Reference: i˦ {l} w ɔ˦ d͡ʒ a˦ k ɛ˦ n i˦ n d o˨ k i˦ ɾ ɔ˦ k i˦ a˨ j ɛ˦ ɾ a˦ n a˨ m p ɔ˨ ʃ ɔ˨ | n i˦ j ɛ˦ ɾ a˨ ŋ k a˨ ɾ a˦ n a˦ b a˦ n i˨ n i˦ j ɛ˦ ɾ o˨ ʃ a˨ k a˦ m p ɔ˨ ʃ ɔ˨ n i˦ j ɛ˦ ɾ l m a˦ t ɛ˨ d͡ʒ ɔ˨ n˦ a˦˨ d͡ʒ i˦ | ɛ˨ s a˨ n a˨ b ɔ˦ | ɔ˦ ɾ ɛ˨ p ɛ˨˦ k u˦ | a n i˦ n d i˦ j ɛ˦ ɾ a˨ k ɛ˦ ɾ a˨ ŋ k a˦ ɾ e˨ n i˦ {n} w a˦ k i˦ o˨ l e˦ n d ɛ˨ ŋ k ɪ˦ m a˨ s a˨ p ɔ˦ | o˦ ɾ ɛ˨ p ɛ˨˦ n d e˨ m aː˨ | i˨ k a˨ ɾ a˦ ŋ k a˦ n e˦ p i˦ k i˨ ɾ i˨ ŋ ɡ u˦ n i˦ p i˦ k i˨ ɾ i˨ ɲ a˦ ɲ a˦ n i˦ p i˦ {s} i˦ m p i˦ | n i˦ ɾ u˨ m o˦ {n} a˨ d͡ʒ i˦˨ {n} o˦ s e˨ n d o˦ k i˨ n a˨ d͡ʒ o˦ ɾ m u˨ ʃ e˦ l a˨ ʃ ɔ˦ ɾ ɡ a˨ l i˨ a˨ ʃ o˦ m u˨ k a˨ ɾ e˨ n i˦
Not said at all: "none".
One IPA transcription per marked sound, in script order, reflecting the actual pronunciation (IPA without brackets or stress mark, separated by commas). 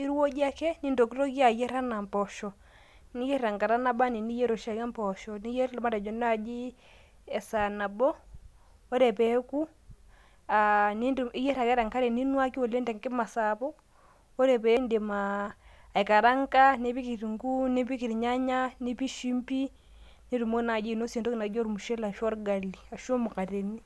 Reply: ɾ, n, ʃ, n, n